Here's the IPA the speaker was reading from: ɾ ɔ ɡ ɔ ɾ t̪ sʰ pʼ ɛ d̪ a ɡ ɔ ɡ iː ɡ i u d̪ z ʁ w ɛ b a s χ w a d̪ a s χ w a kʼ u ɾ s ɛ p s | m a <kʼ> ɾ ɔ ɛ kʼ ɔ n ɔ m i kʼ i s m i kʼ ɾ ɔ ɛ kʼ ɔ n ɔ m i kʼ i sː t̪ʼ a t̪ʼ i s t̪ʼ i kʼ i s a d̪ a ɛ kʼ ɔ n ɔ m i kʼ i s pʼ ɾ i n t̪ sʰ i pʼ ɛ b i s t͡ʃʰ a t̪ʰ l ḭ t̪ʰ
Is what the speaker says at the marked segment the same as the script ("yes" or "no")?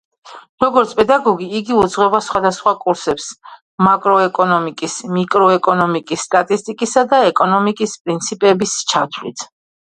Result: yes